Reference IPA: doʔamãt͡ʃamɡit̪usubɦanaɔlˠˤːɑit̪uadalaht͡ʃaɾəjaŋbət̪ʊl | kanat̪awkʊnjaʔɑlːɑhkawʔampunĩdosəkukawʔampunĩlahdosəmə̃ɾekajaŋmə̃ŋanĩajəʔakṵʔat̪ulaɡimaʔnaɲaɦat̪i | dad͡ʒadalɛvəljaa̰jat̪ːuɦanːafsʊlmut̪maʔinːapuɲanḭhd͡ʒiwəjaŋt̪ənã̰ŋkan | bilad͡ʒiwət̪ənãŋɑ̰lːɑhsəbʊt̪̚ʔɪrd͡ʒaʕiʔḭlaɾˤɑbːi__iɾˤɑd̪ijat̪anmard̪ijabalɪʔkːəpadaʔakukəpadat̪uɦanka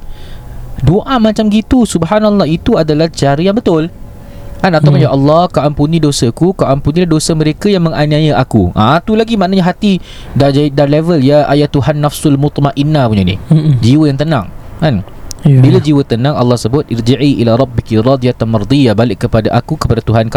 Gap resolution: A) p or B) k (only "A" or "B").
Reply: B